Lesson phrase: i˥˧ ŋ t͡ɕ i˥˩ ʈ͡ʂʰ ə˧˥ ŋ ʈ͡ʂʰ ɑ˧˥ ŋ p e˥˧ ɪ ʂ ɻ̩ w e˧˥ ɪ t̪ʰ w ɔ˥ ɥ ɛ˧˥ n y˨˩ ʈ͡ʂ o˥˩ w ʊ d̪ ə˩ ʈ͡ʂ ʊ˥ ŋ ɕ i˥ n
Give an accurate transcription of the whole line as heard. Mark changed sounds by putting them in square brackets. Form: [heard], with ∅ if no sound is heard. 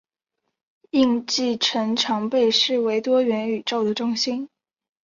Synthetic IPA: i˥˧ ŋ t͡ɕ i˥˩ ʈ͡ʂʰ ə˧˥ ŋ ʈ͡ʂʰ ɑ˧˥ ŋ p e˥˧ ɪ ʂ ɻ̩ w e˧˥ ɪ [t̪] w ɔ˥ ɥ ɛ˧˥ n y˨˩ ʈ͡ʂ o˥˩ [∅] ʊ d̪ ə˩ ʈ͡ʂ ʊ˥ ŋ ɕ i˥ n